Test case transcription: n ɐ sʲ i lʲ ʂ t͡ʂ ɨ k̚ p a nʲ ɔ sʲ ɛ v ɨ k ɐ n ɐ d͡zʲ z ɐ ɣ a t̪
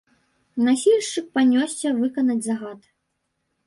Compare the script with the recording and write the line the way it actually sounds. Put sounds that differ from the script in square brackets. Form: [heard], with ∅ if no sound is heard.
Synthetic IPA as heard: n [a] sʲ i lʲ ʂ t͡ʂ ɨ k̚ p a nʲ ɔ sʲ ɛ v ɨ k ɐ n ɐ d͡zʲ z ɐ ɣ a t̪